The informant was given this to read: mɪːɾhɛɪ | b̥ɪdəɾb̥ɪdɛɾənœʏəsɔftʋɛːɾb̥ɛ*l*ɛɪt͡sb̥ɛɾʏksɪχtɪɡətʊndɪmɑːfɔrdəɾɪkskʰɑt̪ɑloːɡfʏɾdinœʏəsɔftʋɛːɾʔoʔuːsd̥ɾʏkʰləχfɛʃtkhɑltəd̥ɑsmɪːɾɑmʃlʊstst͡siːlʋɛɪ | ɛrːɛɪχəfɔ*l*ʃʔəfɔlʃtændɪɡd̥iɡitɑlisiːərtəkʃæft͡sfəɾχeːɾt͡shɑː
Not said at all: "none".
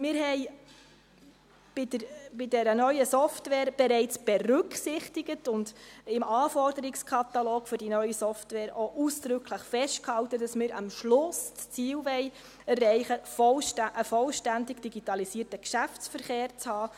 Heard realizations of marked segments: ɾ, l

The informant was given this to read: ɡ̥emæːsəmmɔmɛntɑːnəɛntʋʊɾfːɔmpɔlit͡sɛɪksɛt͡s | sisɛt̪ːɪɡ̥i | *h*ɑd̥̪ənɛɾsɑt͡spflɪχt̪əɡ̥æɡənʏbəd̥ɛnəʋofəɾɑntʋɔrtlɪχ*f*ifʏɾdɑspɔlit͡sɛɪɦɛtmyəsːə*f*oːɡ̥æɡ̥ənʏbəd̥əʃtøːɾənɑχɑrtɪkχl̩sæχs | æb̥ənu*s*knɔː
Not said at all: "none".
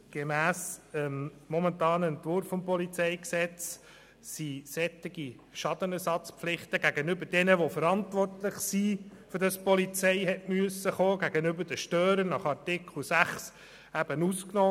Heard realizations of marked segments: ʃ, s, χ, s

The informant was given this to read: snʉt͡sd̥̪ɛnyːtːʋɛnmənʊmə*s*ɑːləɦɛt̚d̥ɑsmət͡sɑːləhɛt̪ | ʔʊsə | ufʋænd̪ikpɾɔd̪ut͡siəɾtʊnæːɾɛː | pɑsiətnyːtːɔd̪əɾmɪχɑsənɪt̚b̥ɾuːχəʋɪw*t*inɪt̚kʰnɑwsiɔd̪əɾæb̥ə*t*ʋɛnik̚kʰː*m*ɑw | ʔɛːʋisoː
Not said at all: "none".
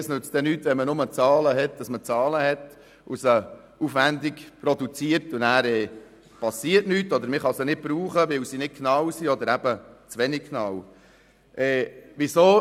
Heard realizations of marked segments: t͡s, s, t͡s, n

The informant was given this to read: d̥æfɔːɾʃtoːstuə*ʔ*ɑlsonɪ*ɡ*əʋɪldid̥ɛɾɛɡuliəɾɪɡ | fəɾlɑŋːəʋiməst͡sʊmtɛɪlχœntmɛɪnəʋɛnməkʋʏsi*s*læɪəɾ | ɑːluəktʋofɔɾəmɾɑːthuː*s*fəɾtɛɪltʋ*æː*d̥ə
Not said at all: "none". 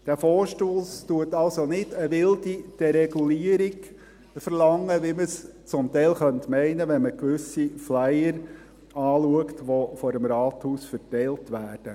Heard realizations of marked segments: t, d, f, s, æː

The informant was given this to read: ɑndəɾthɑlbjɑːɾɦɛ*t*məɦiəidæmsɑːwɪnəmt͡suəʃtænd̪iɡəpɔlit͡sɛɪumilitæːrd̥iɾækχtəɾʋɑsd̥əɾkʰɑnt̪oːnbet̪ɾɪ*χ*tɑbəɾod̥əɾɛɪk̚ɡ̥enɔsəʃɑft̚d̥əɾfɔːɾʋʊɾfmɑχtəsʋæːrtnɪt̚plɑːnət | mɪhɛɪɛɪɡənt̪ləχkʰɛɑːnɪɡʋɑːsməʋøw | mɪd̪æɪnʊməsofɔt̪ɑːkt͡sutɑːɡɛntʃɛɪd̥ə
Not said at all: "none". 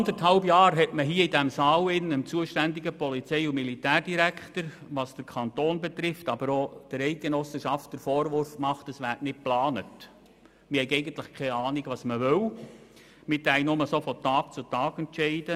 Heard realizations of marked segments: t, f

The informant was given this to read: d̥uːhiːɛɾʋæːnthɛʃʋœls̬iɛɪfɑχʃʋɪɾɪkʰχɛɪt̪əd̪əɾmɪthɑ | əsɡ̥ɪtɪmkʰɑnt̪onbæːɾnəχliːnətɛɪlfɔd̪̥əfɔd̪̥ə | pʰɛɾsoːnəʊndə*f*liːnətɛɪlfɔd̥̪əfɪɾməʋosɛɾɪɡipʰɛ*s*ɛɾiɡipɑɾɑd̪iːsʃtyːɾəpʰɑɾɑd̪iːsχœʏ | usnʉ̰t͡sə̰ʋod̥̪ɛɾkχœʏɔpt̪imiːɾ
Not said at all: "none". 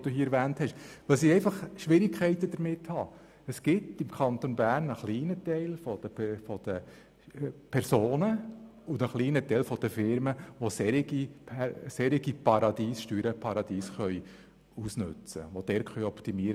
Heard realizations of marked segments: χ, s

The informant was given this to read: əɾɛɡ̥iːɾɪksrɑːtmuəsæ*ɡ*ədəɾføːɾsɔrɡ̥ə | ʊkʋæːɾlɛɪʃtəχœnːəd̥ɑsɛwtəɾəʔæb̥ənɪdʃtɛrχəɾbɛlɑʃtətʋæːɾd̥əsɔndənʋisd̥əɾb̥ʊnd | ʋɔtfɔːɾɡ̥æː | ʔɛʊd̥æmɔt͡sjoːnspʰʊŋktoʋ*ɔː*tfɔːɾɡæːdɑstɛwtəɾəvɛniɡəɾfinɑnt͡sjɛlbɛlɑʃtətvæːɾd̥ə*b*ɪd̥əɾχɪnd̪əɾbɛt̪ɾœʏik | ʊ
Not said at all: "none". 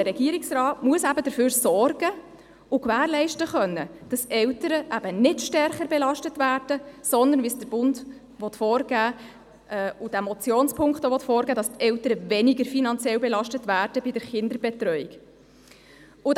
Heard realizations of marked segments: b, ɔ, b

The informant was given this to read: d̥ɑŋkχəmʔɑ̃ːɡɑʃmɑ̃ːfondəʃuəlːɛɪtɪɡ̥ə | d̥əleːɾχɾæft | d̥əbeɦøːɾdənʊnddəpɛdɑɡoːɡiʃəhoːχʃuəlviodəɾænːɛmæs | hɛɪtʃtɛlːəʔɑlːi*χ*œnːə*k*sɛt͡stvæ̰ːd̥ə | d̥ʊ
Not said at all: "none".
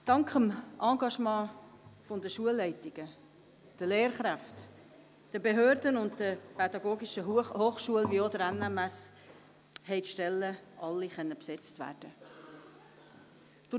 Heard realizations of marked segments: χ, p

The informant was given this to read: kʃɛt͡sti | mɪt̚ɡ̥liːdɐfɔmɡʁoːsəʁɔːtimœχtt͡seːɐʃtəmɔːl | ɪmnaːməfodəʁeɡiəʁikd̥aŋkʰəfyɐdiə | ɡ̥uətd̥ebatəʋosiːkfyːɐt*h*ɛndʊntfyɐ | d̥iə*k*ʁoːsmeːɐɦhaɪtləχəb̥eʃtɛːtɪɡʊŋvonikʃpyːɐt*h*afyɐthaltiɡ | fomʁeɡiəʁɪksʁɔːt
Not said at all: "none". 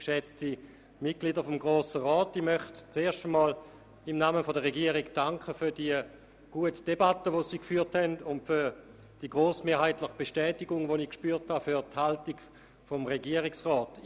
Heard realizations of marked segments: h, ɡ, h

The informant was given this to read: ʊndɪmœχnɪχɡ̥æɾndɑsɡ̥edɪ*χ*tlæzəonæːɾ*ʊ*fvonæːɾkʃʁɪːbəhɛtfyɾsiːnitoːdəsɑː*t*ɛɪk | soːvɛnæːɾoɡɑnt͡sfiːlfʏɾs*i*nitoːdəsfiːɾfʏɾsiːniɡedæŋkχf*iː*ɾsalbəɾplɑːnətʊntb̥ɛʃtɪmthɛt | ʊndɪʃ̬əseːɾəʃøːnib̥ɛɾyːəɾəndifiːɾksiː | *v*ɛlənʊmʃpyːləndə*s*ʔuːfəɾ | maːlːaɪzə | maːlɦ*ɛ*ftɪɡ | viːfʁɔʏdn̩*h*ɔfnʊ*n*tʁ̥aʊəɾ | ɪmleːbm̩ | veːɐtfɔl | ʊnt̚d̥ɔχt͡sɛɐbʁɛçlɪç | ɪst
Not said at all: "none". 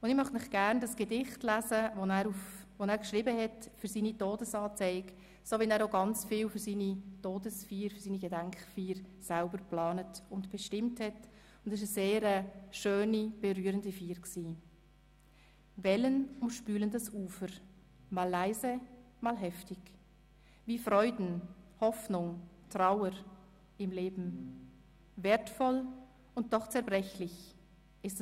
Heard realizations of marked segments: χ, u, t͡s, iː, iː, v, s, ɛ, h, ŋ

